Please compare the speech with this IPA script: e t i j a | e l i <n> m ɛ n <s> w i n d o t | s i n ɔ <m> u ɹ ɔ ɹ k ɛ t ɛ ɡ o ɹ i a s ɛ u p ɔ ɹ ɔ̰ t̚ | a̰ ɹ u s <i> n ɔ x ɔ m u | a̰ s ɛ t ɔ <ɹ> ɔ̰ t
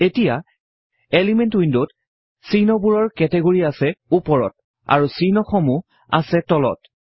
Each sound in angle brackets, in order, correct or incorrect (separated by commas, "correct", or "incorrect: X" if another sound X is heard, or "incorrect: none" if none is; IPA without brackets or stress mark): incorrect: none, incorrect: t, incorrect: b, correct, incorrect: l